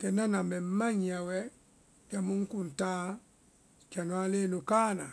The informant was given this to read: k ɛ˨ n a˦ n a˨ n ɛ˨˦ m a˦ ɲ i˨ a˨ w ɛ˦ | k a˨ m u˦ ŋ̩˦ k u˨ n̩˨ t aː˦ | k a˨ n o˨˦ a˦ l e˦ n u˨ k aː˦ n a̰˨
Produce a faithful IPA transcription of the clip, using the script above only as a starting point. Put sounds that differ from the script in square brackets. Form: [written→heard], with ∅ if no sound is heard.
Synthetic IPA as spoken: k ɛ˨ n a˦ n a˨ [n→m] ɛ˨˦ m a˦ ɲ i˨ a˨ w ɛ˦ | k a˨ m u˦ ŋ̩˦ k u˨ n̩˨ t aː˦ | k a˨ n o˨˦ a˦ l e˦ n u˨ k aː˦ n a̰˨